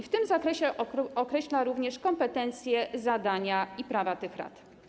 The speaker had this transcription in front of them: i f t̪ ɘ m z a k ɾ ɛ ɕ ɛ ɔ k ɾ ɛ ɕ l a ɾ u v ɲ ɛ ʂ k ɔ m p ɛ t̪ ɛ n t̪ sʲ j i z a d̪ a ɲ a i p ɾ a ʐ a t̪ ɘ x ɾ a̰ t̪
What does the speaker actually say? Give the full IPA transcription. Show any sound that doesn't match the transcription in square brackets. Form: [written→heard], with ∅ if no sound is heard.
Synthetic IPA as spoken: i f t̪ ɘ m z a k ɾ ɛ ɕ ɛ ɔ k ɾ ɛ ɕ l a ɾ u v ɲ ɛ ʂ k ɔ m p ɛ t̪ ɛ n t̪ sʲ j [i→ɛ] z a d̪ a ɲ a i p ɾ a [ʐ→v] a t̪ ɘ x ɾ a̰ t̪